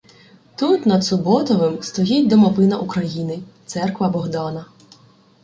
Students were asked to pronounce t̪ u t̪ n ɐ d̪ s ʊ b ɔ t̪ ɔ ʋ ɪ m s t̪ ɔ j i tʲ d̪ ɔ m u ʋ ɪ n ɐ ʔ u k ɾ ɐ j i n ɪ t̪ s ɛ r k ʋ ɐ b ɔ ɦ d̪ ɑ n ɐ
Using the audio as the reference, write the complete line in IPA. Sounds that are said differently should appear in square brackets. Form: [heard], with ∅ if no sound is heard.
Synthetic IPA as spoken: t̪ u t̪ n ɐ d̪ s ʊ b ɔ t̪ ɔ ʋ ɪ m s t̪ ɔ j i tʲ d̪ ɔ m [ɔ] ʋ ɪ n ɐ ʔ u k ɾ ɐ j i n ɪ t̪ s ɛ r k ʋ ɐ b ɔ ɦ d̪ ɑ n ɐ